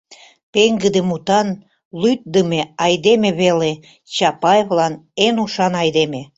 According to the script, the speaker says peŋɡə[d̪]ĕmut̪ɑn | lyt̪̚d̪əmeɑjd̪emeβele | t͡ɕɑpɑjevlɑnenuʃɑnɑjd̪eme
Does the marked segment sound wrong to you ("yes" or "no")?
no